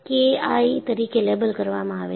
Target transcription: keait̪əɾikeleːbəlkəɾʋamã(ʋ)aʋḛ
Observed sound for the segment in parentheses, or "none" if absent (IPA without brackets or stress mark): none